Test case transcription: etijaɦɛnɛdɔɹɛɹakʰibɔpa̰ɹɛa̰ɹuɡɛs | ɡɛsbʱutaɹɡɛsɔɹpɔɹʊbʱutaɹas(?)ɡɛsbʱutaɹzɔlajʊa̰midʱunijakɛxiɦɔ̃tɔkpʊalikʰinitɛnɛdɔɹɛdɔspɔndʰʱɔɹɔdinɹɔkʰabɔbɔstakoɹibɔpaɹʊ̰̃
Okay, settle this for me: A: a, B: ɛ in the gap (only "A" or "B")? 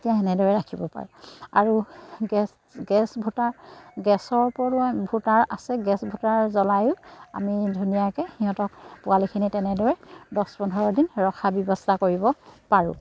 B